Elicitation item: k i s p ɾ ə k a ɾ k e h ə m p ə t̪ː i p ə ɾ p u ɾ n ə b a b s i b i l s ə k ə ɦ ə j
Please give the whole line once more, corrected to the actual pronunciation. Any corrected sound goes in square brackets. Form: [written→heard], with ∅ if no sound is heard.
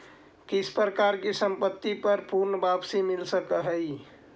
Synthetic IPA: k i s p ɾ ə k a ɾ k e [h→s] ə m p ə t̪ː i p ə ɾ p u ɾ n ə b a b s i [b→m] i l s ə k ə ɦ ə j